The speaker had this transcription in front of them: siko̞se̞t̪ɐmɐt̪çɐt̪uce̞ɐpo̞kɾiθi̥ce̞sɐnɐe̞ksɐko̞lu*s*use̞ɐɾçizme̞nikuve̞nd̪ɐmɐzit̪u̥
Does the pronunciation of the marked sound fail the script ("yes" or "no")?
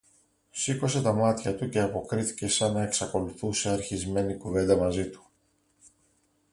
yes